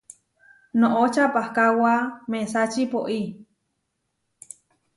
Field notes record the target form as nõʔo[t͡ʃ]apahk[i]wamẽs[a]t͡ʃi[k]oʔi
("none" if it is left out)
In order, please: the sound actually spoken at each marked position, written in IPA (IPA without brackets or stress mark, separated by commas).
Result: t͡ʃ, a, a, p